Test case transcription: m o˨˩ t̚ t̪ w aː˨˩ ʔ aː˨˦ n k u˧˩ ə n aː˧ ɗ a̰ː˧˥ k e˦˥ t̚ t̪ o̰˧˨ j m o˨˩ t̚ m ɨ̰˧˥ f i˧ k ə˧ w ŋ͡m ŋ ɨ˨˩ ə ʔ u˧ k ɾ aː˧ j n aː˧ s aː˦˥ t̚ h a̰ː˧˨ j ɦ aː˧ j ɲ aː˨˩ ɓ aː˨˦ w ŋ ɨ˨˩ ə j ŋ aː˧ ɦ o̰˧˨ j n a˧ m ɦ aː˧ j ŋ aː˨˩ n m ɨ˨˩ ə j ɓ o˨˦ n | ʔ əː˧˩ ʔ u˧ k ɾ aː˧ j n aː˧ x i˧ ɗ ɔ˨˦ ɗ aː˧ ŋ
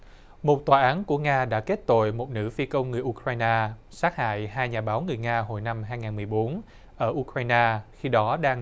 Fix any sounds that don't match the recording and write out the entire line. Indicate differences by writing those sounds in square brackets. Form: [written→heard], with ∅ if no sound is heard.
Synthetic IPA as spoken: m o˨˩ t̚ t̪ w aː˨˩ ʔ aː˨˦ n k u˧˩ ə [n→ŋ] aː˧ ɗ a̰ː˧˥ k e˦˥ t̚ t̪ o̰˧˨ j m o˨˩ t̚ [m→n] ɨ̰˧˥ f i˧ k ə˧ w ŋ͡m ŋ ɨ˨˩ ə ʔ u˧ k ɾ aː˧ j n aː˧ s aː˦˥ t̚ h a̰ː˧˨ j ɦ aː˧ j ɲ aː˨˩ ɓ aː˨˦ w ŋ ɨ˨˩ ə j ŋ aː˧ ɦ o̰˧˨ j n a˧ m ɦ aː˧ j ŋ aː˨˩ n m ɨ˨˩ ə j ɓ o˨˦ n | ʔ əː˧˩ ʔ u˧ k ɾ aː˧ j n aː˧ x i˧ ɗ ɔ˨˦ ɗ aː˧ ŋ